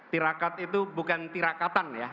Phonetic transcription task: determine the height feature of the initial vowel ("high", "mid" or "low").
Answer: high